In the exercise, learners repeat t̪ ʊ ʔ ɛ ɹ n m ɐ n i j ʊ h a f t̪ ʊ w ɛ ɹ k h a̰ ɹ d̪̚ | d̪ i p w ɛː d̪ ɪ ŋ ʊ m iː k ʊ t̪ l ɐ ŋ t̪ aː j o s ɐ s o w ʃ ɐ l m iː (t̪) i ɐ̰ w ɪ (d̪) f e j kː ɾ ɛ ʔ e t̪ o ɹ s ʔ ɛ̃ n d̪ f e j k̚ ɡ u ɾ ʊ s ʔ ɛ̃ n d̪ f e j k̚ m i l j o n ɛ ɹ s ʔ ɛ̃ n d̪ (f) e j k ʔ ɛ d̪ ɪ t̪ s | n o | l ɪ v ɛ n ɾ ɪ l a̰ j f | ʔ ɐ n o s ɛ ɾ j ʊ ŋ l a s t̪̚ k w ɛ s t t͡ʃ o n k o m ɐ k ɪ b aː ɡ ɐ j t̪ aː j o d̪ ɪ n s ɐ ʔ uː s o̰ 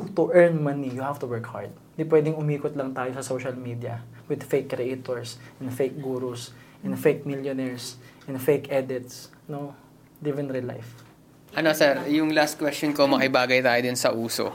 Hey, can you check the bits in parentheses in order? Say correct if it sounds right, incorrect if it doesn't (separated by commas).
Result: incorrect, correct, correct